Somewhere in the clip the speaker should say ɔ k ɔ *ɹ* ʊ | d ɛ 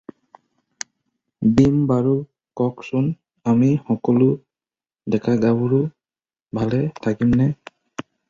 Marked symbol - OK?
no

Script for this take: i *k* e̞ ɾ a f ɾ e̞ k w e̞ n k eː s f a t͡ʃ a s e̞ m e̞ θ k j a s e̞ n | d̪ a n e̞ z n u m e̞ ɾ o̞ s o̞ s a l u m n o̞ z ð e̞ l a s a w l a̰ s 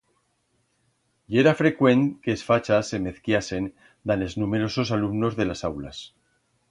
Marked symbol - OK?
no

